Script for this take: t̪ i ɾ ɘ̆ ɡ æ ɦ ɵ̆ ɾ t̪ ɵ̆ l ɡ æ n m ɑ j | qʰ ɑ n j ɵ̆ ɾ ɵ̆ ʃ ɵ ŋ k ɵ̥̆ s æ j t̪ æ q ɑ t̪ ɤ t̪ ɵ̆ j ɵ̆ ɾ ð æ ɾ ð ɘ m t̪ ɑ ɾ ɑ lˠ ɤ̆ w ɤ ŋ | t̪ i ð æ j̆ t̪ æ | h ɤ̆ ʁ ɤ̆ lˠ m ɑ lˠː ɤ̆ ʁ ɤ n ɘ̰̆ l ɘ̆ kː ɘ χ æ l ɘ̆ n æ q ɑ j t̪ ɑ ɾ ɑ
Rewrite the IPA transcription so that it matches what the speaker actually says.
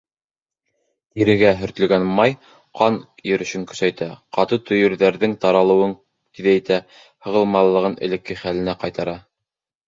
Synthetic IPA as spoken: t̪ i ɾ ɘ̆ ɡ æ ɦ ɵ̆ ɾ t̪ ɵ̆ l ɡ æ n m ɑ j | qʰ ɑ n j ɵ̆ ɾ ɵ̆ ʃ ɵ ŋ k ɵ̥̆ s æ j t̪ æ q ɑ t̪ ɤ t̪ ɵ̆ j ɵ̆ ɾ ð æ ɾ ð ɘ ŋ t̪ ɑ ɾ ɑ lˠ ɤ̆ w ɤ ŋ | t̪ i ð æ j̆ t̪ æ | h ɤ̆ ʁ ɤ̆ lˠ m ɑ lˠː ɤ̆ ʁ ɤ n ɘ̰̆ l ɘ̆ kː ɘ χ æ l ɘ̆ n æ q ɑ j t̪ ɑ ɾ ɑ